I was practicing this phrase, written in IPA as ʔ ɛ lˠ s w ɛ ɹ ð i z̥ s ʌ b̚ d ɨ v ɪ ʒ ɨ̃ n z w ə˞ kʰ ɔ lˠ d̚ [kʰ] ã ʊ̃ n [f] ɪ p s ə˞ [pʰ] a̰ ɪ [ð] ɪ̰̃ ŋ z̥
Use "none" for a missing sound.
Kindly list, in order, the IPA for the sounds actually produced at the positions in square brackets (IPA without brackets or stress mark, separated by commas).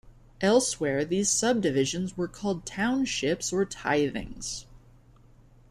tʰ, ʃ, tʰ, ð